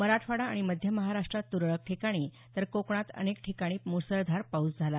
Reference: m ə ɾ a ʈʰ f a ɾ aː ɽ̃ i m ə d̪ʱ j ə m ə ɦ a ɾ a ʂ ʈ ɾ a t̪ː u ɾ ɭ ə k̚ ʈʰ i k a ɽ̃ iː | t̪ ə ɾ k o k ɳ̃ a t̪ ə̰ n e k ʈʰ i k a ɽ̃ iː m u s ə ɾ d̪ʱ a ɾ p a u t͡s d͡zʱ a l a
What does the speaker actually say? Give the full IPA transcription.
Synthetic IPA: m ə ɾ a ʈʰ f a ɽ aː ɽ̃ i m ə d̪ʱ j ə m ə ɦ a ɾ a ʂ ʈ ɾ a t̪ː u ɾ ɭ ə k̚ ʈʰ i k a ɽ̃ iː | t̪ ə ɾ k o k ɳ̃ a t̪ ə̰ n e k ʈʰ i k a ɽ̃ iː m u s ə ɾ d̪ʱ a ɾ p a u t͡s d͡zʱ a l a